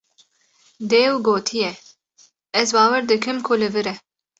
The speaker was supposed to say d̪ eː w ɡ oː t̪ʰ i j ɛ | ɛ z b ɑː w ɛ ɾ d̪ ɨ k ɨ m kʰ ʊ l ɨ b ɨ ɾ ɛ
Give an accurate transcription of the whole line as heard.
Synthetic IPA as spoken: d̪ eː w ɡ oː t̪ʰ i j ɛ | ɛ z b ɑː w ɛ ɾ d̪ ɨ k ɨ m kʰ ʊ l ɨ v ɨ ɾ ɛ